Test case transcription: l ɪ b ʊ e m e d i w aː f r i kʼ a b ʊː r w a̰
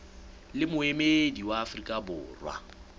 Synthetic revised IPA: l ɪ m ʊ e m e d i w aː f r i kʼ a b ʊː r w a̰